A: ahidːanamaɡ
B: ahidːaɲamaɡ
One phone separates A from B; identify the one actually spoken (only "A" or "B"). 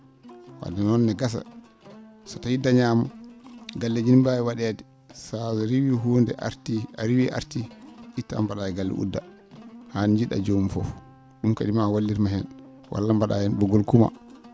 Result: B